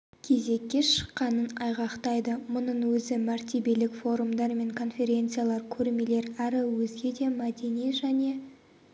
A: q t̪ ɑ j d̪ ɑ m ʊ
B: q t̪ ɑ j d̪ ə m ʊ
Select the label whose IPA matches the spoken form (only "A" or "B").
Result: B